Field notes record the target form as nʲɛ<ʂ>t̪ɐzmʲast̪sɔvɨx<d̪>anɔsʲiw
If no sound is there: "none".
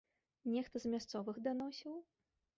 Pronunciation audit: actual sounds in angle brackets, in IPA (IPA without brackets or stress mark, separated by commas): x, d̪